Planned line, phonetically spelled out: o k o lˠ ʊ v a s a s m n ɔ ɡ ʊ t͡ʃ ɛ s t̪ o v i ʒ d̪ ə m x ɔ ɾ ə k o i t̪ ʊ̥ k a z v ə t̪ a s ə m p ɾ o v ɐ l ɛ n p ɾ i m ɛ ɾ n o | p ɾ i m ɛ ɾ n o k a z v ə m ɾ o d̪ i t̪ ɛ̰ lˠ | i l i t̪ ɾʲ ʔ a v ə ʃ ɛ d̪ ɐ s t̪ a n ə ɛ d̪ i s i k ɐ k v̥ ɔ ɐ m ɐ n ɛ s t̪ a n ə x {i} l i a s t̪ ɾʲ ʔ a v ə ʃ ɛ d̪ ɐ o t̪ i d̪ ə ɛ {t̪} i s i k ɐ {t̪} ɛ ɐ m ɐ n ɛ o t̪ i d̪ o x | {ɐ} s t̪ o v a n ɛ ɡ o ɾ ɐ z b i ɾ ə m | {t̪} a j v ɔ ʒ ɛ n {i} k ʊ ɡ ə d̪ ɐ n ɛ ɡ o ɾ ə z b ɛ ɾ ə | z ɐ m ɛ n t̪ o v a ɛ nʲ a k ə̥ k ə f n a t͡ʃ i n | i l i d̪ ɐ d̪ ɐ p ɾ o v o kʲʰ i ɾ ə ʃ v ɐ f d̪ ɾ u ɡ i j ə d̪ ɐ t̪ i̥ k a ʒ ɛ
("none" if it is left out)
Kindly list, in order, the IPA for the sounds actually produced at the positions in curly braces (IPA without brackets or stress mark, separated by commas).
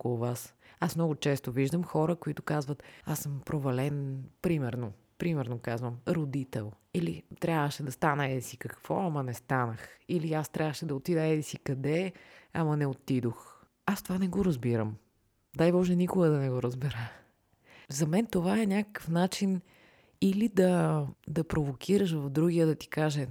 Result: i, d̪, d̪, a, d̪, i